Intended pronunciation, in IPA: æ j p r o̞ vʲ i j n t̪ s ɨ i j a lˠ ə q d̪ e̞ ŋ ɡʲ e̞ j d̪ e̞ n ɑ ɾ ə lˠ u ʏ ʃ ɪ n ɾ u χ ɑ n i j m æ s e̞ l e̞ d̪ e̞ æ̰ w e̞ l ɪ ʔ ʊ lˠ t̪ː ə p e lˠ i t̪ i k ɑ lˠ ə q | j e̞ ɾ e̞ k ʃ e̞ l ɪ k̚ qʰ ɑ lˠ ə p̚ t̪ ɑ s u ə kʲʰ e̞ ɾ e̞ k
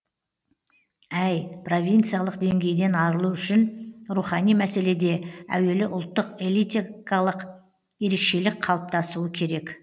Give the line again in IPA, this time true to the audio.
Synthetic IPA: æ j p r o̞ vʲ i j n t̪ s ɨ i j a lˠ ə q d̪ e̞ ŋ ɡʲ e̞ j d̪ e̞ n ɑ ɾ ə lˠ u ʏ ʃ ɪ n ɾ u χ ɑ n i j m æ s e̞ l e̞ d̪ e̞ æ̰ w e̞ l ɪ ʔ ʊ lˠ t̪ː ə q e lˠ i t̪ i k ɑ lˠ ə q | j e̞ ɾ e̞ k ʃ e̞ l ɪ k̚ qʰ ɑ lˠ ə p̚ t̪ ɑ s u ə kʲʰ e̞ ɾ e̞ k

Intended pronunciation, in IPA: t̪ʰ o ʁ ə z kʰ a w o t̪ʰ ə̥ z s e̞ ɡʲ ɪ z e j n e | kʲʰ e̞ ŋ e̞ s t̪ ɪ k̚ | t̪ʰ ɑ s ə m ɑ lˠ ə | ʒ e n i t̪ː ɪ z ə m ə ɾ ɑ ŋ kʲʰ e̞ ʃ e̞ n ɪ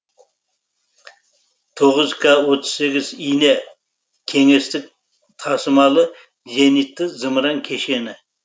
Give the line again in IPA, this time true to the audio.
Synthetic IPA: t̪ʰ o ʁ ə z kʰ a w o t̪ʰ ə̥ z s e̞ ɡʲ ɪ z i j n e | kʲʰ e̞ ŋ e̞ s t̪ ɪ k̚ | t̪ʰ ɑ s ə m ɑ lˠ ə | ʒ e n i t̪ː ɪ z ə m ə ɾ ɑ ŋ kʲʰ e̞ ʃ e̞ n ɪ

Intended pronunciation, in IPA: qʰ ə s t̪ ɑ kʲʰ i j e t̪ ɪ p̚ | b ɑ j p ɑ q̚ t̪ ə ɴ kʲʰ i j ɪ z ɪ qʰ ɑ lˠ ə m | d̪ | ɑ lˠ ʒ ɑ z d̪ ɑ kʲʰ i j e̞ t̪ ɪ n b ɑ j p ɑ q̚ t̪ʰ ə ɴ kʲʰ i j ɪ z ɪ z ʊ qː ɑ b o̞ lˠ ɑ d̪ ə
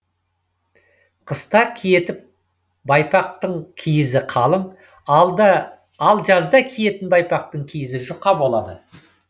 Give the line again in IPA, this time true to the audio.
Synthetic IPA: qʰ ə s t̪ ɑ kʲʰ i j e t̪ ɪ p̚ | b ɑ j p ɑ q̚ t̪ ə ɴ kʲʰ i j ɪ z ɪ qʰ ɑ lˠ ə m | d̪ | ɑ lˠ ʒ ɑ z d̪ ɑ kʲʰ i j e̞ t̪ ɪ n b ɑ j p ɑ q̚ t̪ ə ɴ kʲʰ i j ɪ z ɪ ʒ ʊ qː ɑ b o̞ lˠ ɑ d̪ ə

